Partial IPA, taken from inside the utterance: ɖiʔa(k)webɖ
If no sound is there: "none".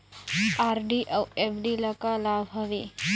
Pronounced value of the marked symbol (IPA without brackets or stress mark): none